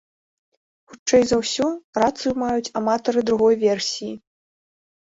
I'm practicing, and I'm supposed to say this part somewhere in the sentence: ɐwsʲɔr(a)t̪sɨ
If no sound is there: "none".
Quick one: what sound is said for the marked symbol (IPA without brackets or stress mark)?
a